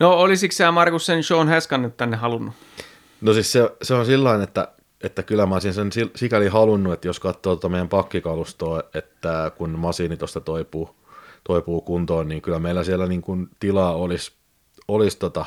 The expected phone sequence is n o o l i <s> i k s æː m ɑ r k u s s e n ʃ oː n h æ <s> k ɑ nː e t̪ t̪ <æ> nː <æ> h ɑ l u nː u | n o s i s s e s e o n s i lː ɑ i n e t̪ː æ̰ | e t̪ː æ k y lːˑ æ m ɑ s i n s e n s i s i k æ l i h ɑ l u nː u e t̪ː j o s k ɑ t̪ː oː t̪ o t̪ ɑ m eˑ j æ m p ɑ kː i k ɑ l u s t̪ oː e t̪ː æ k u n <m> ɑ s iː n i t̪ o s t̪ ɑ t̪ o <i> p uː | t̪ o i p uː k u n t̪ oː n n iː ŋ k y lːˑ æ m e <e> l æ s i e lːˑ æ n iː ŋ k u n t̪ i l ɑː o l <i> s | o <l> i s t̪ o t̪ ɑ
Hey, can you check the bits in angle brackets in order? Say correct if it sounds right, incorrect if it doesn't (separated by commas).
correct, correct, correct, incorrect, correct, correct, incorrect, correct, correct